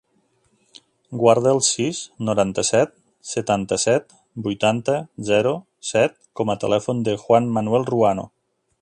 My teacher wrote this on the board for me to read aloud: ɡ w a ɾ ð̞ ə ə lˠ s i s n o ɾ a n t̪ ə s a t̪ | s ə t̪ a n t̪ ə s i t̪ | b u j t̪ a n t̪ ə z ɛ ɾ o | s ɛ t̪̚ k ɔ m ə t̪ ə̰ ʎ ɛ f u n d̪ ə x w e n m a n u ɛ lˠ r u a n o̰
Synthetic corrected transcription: ɡ w a ɾ ð̞ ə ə lˠ s i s n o ɾ a n t̪ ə s ɛ t̪ | s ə t̪ a n t̪ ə s ɛ t̪ | b u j t̪ a n t̪ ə z ɛ ɾ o | s ɛ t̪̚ k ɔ m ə t̪ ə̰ l ɛ f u n d̪ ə x w a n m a n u ɛ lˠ r u a n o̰